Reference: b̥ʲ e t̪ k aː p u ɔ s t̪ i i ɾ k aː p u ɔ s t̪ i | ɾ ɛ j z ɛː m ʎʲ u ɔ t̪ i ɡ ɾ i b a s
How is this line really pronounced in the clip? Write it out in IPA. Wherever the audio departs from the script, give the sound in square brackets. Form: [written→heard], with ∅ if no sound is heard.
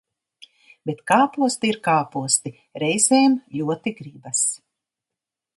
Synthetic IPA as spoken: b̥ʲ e t̪ k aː p u ɔ s t̪ i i ɾ k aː p u ɔ s t̪ i | ɾ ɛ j z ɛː m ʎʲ u ɔ t̪ i ɡ ɾ i b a s